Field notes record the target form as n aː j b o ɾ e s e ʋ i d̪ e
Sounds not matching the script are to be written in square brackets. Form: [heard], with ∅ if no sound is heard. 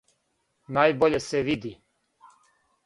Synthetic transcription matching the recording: n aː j b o [ʎ] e s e ʋ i d̪ [i]